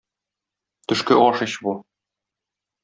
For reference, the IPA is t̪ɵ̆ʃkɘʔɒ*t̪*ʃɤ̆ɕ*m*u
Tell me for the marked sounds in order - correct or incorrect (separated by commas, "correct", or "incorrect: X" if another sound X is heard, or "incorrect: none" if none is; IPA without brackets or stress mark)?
incorrect: none, incorrect: b